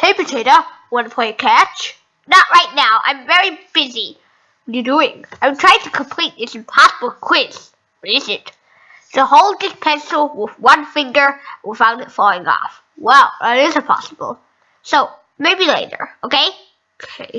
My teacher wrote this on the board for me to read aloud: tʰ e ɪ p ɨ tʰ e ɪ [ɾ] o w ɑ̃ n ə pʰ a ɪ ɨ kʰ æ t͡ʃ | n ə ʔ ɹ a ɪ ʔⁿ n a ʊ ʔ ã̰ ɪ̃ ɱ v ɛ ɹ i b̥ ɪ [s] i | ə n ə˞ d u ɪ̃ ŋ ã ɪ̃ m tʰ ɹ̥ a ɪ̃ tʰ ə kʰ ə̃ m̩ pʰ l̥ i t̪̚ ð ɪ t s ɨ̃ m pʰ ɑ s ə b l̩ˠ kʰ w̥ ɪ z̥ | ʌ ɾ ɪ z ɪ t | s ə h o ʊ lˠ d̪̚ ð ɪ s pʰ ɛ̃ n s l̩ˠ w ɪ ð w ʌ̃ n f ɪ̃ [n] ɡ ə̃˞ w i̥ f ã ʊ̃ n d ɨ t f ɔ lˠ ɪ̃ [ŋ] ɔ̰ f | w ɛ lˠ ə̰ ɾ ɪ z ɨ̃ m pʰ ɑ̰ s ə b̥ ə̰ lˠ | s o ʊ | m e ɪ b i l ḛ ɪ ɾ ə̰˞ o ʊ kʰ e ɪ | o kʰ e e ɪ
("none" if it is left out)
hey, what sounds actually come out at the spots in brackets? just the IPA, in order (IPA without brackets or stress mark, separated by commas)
ɾ, z, ŋ, ŋ